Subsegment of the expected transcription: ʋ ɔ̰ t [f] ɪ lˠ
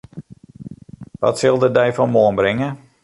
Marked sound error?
yes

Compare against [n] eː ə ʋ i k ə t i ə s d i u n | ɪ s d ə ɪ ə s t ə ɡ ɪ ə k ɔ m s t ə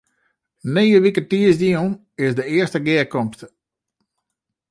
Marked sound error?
no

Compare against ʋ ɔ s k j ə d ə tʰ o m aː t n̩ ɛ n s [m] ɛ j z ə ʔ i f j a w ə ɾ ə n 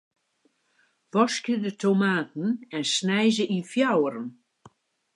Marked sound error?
yes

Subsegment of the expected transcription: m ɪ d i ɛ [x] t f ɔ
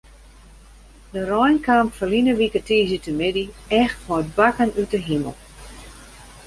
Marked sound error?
no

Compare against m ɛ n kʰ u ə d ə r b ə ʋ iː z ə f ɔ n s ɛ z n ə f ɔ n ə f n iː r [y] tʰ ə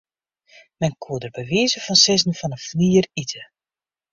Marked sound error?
yes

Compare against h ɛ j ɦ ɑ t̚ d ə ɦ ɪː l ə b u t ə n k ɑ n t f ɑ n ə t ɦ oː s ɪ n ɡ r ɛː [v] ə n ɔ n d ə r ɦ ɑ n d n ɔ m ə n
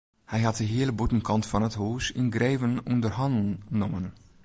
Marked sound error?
no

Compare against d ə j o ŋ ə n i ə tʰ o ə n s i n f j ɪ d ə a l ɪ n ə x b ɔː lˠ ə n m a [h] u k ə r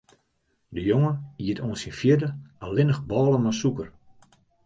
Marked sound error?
yes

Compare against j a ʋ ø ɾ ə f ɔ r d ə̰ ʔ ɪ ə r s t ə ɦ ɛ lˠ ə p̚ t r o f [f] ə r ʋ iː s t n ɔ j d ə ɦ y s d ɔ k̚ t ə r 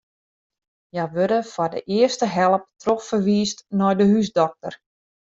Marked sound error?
no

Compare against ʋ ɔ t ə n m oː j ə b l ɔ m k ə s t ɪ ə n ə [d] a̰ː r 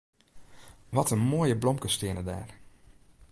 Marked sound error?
no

